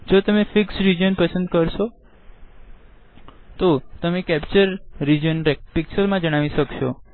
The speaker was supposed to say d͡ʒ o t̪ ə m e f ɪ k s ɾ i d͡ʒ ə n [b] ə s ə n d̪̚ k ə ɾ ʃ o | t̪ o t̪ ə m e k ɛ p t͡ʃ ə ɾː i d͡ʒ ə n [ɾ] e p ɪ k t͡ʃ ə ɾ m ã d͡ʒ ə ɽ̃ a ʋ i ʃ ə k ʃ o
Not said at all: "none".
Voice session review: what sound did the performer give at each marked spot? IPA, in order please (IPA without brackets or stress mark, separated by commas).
p, ɾ